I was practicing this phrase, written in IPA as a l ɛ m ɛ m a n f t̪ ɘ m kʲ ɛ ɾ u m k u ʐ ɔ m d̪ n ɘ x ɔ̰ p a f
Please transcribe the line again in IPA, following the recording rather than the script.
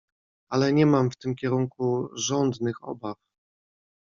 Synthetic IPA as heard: a l ɛ ɲ ɛ m a m f t̪ ɘ m kʲ ɛ ɾ u ŋ k u ʐ ɔ n d̪ n ɘ x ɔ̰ b a f